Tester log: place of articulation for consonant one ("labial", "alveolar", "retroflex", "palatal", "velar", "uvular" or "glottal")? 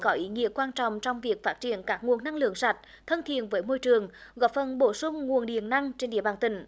velar